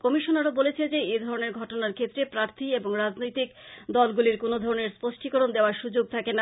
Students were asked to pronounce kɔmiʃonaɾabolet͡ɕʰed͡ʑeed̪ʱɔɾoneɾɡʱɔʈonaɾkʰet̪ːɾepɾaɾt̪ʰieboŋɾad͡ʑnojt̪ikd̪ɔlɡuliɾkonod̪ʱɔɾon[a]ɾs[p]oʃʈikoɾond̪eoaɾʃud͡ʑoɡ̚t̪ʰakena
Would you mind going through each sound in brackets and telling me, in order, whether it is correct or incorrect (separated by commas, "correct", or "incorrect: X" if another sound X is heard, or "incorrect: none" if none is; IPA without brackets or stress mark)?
incorrect: e, correct